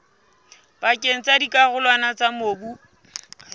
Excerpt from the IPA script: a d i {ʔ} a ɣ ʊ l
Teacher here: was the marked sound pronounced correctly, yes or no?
no